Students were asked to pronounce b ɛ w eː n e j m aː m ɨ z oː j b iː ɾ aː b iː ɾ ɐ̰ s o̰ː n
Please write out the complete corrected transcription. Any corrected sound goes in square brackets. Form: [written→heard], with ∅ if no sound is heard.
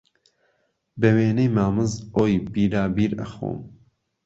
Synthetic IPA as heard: b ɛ w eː n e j m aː m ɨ z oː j b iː ɾ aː b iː ɾ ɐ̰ [s→x] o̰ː [n→m]